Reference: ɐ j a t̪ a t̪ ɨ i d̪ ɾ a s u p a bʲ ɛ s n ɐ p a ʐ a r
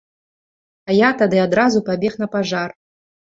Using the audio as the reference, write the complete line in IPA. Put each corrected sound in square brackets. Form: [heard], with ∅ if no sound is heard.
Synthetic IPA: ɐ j a t̪ a [d̪] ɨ [a] d̪ ɾ a [z] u p a bʲ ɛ [x] n ɐ p a ʐ a r